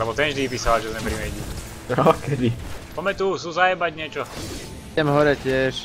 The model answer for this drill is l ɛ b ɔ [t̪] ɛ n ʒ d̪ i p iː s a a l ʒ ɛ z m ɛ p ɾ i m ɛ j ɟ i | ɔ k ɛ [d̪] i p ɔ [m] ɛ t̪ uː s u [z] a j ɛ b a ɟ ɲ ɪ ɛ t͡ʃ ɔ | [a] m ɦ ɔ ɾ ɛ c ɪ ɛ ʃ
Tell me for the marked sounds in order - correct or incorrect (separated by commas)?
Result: correct, correct, correct, correct, incorrect